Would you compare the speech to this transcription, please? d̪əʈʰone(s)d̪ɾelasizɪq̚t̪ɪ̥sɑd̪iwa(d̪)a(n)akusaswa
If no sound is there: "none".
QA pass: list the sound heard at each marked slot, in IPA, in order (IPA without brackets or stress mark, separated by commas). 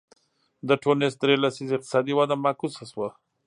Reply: s, d̪, m